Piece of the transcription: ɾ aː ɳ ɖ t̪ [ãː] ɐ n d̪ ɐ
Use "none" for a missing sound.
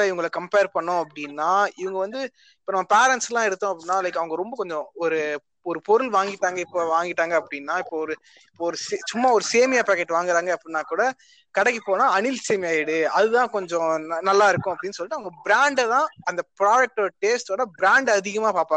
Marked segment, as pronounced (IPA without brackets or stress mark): ãː